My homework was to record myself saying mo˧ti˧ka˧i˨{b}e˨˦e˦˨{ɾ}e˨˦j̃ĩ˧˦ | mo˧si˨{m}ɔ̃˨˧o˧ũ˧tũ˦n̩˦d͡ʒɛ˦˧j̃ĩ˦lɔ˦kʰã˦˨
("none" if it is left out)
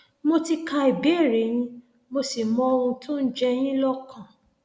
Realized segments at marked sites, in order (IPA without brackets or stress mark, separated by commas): b, ɾ, m